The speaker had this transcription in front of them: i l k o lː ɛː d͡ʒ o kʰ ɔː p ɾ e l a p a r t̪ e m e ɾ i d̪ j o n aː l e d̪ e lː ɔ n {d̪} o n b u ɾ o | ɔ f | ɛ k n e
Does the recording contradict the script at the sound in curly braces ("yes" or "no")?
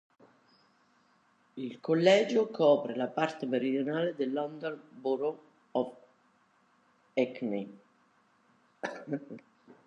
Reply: no